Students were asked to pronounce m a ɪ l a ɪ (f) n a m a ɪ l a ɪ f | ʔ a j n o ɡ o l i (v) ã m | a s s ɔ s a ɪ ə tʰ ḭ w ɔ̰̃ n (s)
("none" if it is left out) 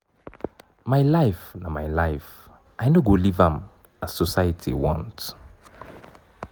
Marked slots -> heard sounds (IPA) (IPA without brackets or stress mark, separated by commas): f, v, t